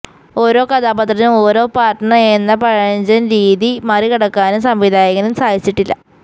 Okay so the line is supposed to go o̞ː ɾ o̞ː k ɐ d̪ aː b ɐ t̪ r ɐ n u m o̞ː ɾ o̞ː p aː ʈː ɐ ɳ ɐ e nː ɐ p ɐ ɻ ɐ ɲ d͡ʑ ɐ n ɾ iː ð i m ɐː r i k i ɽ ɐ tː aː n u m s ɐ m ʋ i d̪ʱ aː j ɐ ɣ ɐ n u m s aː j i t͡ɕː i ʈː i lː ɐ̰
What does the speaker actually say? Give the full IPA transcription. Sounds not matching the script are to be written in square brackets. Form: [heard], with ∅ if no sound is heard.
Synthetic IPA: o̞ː ɾ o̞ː k ɐ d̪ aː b ɐ t̪ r ɐ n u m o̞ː ɾ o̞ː p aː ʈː ɐ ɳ ɐ e nː ɐ p ɐ ɻ ɐ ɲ d͡ʑ ɐ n ɾ iː ð i m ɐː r i k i ɽ ɐ [kː] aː n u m s ɐ m ʋ i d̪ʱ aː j ɐ ɣ ɐ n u m s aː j i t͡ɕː i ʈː i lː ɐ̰